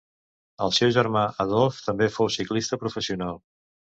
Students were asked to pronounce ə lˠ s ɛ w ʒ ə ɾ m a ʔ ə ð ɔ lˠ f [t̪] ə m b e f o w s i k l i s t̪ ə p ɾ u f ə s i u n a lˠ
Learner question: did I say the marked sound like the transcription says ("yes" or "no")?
yes